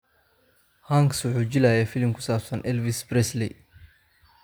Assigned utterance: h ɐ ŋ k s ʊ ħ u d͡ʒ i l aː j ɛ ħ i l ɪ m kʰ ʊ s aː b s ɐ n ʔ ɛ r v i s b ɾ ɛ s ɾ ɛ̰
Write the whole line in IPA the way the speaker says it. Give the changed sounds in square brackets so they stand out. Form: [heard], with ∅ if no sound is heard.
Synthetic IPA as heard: h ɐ ŋ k s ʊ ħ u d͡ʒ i l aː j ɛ [f] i l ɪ m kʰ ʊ s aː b s ɐ n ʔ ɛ [l] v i s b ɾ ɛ s [l] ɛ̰